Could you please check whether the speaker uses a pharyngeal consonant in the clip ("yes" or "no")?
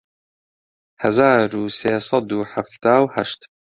yes